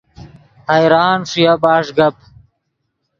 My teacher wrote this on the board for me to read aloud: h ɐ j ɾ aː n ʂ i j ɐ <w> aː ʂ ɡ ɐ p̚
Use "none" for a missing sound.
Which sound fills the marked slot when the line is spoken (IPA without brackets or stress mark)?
b